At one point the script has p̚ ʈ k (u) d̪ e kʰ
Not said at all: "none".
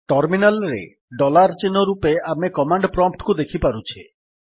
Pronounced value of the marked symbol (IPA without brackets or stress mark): u